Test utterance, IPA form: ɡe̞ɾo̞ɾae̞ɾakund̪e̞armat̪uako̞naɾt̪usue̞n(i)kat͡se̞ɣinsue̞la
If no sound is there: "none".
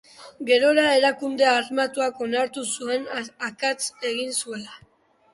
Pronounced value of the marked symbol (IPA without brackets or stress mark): a